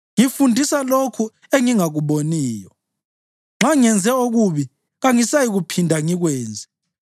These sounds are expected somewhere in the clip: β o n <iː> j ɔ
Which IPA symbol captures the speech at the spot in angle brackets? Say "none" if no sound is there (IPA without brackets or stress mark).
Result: iː